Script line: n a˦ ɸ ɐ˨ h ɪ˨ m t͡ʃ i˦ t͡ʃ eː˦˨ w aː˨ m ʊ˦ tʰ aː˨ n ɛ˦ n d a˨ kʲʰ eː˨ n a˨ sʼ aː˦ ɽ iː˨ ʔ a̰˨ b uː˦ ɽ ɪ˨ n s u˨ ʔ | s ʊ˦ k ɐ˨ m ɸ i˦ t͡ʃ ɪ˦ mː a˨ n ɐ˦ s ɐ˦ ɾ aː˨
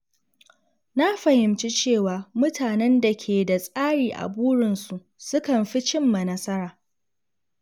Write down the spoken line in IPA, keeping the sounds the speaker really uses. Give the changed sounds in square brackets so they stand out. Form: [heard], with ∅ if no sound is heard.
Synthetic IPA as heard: n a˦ ɸ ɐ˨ h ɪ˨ m t͡ʃ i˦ t͡ʃ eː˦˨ w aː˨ m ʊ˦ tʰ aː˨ n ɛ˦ n d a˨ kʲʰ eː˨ [d] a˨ sʼ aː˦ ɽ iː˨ ʔ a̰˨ b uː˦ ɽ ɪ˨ n s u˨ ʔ | s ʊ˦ k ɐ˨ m ɸ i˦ t͡ʃ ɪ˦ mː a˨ n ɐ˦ s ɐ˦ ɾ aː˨